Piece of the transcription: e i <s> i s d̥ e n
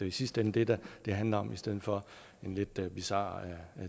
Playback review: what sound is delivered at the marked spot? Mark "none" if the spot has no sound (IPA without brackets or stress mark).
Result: s